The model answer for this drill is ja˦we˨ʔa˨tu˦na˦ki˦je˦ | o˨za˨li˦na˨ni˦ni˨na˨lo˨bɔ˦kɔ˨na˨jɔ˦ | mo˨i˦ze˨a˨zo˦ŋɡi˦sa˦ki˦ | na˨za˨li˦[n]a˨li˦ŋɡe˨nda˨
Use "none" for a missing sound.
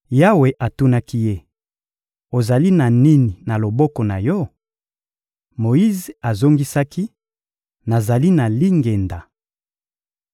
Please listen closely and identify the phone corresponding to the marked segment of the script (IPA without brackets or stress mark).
n